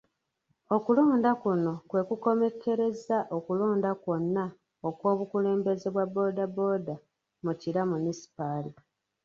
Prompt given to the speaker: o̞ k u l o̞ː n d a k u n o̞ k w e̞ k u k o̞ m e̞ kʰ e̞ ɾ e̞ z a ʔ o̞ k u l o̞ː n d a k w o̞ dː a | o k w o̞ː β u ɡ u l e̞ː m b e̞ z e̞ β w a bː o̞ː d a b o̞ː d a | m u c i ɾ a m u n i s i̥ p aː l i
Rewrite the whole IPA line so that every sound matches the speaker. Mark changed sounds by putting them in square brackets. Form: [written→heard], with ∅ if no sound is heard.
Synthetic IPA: o̞ k u l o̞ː n d a k u n o̞ k w e̞ k u k o̞ m e̞ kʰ e̞ ɾ e̞ z a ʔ o̞ k u l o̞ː n d a k w o̞ [dː→nː] a | o k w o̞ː β u [ɡ→k] u l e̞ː m b e̞ z e̞ β w a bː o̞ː d a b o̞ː d a | m u c i ɾ a m u n i s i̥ p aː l i